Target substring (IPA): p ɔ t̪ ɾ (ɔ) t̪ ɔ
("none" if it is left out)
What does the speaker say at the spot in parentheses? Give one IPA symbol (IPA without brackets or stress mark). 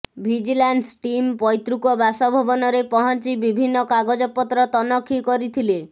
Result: ɔ